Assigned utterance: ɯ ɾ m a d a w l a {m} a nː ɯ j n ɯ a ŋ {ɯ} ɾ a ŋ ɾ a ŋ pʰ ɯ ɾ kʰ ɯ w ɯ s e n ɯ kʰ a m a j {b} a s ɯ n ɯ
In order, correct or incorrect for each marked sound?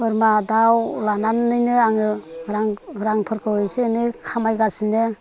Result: incorrect: n, correct, incorrect: ɡ

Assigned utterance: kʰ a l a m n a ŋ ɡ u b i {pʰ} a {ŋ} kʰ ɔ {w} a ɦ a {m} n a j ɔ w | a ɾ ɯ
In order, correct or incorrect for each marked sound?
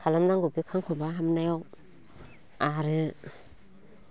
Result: incorrect: kʰ, correct, incorrect: b, correct

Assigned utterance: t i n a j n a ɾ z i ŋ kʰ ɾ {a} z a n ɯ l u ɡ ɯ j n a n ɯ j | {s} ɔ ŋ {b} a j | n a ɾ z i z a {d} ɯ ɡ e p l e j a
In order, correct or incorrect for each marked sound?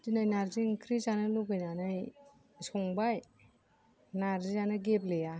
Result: incorrect: i, correct, correct, incorrect: n

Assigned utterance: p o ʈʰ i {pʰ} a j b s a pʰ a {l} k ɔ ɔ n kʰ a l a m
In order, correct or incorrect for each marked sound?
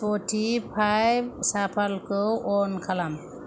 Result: correct, correct

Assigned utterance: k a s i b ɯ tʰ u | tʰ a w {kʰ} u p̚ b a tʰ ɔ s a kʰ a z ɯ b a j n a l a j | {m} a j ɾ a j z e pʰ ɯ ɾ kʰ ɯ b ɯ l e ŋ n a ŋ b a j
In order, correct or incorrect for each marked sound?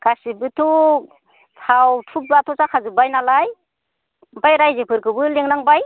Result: incorrect: tʰ, incorrect: b

